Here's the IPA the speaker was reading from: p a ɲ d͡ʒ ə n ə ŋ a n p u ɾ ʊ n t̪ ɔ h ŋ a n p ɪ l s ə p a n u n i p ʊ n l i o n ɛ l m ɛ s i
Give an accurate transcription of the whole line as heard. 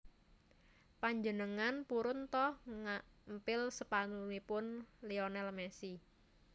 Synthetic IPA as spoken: p a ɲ d͡ʒ ə n ə ŋ a n p u ɾ ʊ n t̪ ɔ h ŋ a m p ɪ l s ə p a n u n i p ʊ n l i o n ɛ l m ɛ s i